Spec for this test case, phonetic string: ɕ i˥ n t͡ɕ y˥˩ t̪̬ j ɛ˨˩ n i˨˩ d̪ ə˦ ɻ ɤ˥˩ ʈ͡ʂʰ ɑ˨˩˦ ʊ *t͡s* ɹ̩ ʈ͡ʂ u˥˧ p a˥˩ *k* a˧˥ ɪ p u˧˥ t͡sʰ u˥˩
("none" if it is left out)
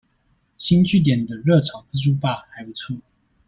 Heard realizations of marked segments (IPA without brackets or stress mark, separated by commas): t͡s, x